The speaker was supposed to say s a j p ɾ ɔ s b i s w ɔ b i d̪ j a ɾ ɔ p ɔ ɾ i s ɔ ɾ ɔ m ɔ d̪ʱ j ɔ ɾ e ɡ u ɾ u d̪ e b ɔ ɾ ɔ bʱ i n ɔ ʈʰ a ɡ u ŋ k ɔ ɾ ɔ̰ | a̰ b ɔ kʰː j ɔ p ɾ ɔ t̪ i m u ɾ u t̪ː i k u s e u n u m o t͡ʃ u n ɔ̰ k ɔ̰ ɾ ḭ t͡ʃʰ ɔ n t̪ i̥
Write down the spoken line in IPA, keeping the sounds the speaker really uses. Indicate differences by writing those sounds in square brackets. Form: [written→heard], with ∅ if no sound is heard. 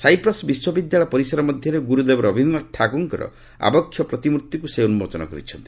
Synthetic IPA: s a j p ɾ ɔ s b i s w ɔ b i d̪ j a [ɾ→ɭ] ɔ p ɔ ɾ i s ɔ ɾ ɔ m ɔ d̪ʱ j ɔ ɾ e ɡ u ɾ u d̪ e b ɔ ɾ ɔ bʱ i n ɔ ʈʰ a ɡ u ŋ k ɔ ɾ ɔ̰ | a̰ b ɔ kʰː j ɔ p ɾ ɔ t̪ i m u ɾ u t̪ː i k u s e u n u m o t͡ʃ [u→ɔ] n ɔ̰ k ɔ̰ ɾ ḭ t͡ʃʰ ɔ n t̪ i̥